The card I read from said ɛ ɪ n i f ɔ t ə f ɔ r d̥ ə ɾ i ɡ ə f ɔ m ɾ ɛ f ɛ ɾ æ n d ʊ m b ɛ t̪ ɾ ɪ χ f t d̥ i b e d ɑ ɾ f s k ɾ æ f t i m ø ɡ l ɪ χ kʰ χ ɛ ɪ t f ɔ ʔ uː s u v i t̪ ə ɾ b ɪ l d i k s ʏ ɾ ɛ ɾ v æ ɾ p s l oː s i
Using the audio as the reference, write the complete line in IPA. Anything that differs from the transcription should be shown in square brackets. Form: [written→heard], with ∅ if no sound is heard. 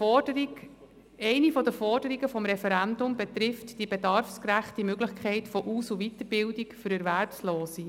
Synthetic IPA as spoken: ɛ ɪ n i f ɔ [t→d] ə f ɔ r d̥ ə ɾ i ɡ ə f ɔ m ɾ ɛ f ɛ ɾ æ n d ʊ m b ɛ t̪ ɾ ɪ [χ→∅] f t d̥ i b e d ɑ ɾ f s k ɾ æ [f→χ] t i m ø ɡ l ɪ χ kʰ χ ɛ ɪ t f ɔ ʔ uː s u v i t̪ ə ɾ b ɪ l d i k [s→f] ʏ ɾ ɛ ɾ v æ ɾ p s l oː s i